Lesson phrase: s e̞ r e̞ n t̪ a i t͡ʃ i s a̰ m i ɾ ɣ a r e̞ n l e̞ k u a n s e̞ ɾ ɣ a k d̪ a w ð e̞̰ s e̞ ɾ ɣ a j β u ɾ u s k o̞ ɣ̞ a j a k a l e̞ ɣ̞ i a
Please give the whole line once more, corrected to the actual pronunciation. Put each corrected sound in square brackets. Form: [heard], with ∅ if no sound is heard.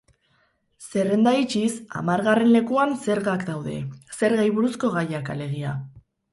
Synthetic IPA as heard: s e̞ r e̞ n [d̪] a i t͡ʃ i s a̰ m [a] ɾ ɣ a r e̞ n l e̞ k u a n s e̞ ɾ ɣ a k d̪ a w ð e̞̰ s e̞ ɾ ɣ a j β u ɾ u s k o̞ ɣ̞ a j a k a l e̞ ɣ̞ i a